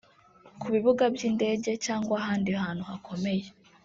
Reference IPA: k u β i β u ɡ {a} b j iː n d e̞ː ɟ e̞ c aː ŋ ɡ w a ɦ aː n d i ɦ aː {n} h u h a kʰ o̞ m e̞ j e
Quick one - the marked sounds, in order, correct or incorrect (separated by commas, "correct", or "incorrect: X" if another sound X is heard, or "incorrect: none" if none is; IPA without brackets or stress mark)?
correct, correct